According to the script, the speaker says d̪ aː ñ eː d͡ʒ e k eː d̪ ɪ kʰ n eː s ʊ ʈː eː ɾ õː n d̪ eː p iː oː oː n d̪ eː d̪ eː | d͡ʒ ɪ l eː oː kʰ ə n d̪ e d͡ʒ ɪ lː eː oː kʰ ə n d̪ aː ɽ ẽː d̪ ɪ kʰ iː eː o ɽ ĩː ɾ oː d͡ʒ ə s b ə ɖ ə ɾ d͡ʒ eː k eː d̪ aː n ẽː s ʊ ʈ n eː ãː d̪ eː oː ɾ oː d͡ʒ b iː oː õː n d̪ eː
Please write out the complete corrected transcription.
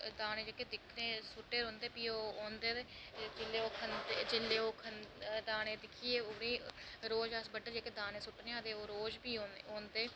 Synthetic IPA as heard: d̪ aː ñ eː d͡ʒ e k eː d̪ ɪ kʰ n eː s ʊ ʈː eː ɾ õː n d̪ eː p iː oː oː n d̪ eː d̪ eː | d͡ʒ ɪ l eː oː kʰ ə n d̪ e d͡ʒ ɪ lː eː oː kʰ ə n d̪ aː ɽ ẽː d̪ ɪ kʰ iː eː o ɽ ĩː ɾ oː d͡ʒ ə s b ə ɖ ə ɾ d͡ʒ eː k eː d̪ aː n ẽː s ʊ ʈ n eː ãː d̪ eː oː ɾ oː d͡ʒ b iː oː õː n d̪ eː

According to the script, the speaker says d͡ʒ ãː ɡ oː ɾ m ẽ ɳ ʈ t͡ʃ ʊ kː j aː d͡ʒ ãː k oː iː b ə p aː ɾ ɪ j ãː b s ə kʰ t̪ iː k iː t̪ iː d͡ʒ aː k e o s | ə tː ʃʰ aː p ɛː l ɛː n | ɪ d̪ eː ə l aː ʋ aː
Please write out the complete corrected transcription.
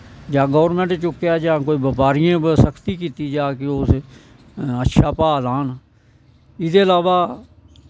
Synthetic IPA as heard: d͡ʒ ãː ɡ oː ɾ m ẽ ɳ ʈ t͡ʃ ʊ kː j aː d͡ʒ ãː k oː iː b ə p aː ɾ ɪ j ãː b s ə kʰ t̪ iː k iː t̪ iː d͡ʒ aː k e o s | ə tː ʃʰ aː p aː l aː n | ɪ d̪ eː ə l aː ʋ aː

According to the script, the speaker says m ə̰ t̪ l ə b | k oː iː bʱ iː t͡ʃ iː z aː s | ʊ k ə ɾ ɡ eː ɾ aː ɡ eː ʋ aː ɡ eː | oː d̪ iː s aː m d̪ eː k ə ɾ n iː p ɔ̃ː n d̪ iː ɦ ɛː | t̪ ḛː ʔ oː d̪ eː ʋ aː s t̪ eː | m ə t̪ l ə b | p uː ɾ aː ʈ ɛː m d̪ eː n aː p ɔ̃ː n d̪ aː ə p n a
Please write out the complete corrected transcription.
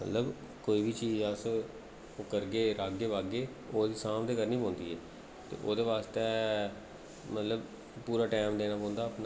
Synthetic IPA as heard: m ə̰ t̪ l ə b | k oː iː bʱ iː t͡ʃ iː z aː s | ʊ k ə ɾ ɡ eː ɾ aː ɡ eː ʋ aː ɡ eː | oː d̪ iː s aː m d̪ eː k ə ɾ n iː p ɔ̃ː n d̪ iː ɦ ɛː | t̪ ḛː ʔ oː d̪ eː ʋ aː s t̪ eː | m ə t̪ l ə b | p uː ɾ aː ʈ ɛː m d̪ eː n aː p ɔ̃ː n d̪ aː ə p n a

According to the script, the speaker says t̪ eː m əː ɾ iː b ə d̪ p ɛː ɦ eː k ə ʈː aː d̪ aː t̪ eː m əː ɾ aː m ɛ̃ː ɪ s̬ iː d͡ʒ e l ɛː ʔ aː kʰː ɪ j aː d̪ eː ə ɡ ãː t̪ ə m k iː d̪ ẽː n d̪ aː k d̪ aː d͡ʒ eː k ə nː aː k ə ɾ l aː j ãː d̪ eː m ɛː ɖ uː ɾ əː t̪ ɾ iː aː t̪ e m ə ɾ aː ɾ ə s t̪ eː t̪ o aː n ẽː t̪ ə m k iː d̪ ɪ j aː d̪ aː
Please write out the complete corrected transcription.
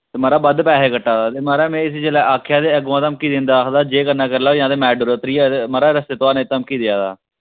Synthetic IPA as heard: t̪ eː m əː ɾ aː b ə d̪ p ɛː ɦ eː k ə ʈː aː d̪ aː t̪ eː m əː ɾ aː m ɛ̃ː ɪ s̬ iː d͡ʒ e l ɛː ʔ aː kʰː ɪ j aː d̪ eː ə ɡ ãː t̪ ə m k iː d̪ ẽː n d̪ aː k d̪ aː d͡ʒ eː k ə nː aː k ə ɾ l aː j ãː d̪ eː m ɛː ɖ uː ɾ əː t̪ ɾ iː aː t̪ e m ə ɾ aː ɾ ə s t̪ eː t̪ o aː n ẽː t̪ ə m k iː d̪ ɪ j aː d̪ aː

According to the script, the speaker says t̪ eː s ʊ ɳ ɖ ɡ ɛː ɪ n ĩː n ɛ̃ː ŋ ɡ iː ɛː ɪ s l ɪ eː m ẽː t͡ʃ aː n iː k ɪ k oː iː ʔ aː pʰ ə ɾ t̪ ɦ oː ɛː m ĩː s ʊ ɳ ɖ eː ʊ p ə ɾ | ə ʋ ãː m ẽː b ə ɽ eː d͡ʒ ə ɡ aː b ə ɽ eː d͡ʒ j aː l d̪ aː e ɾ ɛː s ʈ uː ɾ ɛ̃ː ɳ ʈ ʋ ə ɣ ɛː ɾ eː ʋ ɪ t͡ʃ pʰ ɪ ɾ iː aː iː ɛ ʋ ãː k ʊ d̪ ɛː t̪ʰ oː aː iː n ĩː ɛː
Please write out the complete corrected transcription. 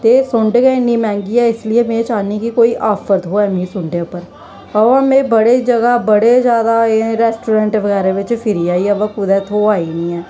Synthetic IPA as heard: t̪ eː s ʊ ɳ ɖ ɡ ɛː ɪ n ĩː m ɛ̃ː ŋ ɡ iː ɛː ɪ s l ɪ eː m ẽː t͡ʃ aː n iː k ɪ k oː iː ʔ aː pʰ ə ɾ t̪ ɦ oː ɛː m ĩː s ʊ ɳ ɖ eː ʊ p ə ɾ | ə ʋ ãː m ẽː b ə ɽ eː d͡ʒ ə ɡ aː b ə ɽ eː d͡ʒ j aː d̪ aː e ɾ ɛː s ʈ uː ɾ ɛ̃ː ɳ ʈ ʋ ə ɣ ɛː ɾ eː ʋ ɪ t͡ʃ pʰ ɪ ɾ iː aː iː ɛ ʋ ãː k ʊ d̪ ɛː t̪ʰ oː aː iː n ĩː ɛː

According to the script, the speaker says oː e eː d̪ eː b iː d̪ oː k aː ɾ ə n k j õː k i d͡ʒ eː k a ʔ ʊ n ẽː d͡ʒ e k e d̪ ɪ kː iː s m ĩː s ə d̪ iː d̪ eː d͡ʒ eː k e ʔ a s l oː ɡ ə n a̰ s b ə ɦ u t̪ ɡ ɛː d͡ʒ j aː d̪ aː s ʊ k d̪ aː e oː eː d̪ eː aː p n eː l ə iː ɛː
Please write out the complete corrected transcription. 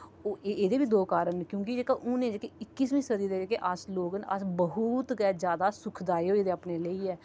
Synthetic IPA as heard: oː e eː d̪ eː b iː d̪ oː k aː ɾ ə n k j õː k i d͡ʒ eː k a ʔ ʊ n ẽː d͡ʒ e k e ɪ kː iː s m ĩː s ə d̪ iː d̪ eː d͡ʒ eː k e ʔ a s l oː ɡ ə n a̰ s b ə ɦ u t̪ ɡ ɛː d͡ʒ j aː d̪ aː s ʊ kʰ d̪ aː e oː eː d̪ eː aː p n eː l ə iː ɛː

